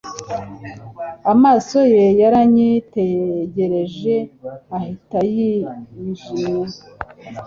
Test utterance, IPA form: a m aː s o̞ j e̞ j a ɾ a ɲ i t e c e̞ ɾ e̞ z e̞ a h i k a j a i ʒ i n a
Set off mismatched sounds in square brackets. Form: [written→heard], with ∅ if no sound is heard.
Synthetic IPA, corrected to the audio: a m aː s o̞ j e̞ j a ɾ a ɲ i t e [c→ɟ] e̞ ɾ e̞ [z→ʒ] e̞ a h i [k→t] a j [a→i] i ʒ i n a